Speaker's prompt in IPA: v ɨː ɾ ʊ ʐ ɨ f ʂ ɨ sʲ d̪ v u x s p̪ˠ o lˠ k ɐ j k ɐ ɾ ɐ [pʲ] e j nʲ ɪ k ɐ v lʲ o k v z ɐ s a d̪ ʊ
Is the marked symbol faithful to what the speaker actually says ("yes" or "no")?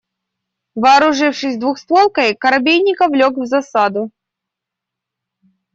no